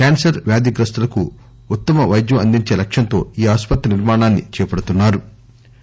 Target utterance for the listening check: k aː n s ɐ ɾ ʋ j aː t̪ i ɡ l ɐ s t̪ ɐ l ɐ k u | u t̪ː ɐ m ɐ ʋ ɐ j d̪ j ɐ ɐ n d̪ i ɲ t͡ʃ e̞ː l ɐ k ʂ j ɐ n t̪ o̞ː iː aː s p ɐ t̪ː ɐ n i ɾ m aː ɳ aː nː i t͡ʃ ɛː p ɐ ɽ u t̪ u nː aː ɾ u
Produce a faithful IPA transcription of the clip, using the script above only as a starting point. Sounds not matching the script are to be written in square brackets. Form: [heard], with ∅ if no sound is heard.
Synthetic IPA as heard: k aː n s ɐ ɾ ʋ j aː [d̪] i ɡ [ɾ] ɐ s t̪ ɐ l ɐ k u | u t̪ː ɐ m ɐ ʋ ɐ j d̪ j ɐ ɐ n d̪ i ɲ t͡ʃ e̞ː l ɐ k ʂ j ɐ n t̪ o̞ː iː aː s p ɐ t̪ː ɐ n i ɾ m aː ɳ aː nː i t͡ʃ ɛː p ɐ ɽ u t̪ u nː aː ɾ u